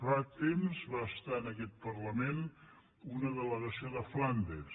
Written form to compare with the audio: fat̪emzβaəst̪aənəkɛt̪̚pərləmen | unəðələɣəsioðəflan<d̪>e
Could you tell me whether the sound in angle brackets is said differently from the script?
no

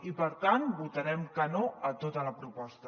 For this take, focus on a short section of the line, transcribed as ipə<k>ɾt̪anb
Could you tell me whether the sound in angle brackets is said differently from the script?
yes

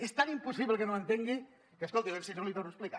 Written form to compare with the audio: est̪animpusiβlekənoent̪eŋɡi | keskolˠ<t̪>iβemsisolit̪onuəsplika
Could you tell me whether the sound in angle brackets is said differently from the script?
no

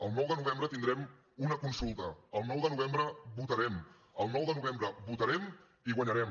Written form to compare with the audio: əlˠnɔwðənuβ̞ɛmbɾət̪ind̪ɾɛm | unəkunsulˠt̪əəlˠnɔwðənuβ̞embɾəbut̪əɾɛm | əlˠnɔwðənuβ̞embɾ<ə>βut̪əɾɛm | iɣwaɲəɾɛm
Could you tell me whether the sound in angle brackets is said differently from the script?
no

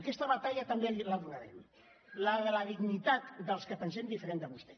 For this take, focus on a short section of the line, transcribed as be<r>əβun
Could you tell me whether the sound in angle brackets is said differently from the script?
yes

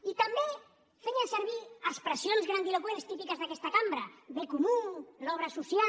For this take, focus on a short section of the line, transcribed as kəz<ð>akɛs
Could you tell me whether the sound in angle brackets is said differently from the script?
no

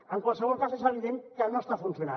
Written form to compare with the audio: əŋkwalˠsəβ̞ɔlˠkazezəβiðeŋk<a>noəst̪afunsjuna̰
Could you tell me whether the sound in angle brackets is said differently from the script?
yes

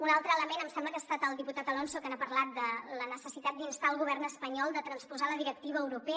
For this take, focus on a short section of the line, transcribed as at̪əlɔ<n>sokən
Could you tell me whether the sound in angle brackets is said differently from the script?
no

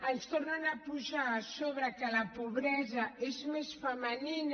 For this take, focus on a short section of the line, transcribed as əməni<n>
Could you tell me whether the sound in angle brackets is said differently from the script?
no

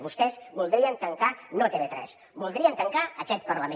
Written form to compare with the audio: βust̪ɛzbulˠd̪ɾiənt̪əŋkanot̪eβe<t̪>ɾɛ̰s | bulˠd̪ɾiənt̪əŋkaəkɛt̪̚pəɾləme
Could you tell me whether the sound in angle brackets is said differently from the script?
no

